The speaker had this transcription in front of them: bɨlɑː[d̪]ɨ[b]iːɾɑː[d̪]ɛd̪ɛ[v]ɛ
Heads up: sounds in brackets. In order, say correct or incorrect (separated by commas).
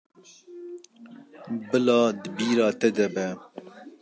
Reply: correct, correct, incorrect, incorrect